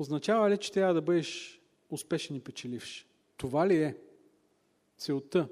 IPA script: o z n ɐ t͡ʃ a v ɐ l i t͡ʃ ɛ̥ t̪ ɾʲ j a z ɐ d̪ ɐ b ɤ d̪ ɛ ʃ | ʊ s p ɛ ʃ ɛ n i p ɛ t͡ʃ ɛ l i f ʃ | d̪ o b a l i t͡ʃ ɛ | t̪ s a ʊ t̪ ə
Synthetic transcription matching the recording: o z n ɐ t͡ʃ a v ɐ l i t͡ʃ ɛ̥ t̪ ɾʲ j a v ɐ d̪ ɐ b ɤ d̪ ɛ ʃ | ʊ s p ɛ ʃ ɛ n i p ɛ t͡ʃ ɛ l i f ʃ | t̪ o v a l i ɛ | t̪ s ɛ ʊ t̪ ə